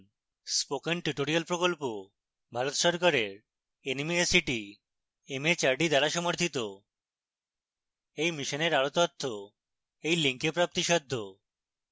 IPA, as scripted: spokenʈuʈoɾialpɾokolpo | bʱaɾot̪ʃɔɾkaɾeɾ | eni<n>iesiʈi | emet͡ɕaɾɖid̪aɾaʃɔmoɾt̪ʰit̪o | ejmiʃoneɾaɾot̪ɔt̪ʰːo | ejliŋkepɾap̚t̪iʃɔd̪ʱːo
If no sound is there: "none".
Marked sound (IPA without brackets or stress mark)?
m